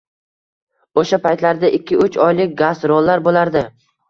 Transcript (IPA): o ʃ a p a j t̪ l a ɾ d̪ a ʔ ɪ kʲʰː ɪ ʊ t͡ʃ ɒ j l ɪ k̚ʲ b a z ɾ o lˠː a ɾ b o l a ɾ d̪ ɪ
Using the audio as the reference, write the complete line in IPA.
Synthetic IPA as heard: o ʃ a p a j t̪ l a ɾ d̪ a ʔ ɪ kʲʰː ɪ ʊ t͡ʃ ɒ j l ɪ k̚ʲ ɡ a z ɾ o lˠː a ɾ b o l a ɾ d̪ ɪ